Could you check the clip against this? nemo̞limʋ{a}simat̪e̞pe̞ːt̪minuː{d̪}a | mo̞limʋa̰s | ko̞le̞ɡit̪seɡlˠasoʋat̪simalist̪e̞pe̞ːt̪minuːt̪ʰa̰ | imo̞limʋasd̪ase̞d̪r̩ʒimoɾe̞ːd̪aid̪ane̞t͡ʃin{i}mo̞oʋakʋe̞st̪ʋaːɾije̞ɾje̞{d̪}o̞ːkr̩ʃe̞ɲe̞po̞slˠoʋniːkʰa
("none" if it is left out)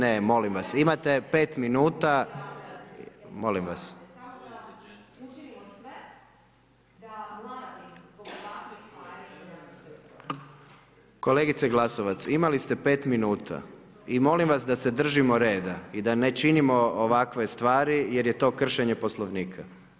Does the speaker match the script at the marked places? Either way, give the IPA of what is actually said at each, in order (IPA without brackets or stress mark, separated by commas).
a, t̪, i, t̪